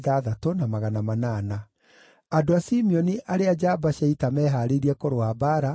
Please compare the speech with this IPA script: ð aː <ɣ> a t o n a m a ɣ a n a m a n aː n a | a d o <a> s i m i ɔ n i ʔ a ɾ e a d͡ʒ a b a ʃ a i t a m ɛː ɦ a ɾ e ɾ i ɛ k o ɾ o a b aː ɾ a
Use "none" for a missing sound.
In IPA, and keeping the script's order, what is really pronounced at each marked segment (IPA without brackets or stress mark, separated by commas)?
ð, a